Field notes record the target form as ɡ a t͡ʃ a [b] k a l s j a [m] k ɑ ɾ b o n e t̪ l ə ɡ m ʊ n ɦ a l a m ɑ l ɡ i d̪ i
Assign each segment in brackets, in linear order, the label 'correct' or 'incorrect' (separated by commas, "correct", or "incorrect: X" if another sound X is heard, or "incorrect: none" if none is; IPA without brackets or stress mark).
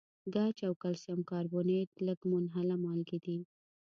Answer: incorrect: w, correct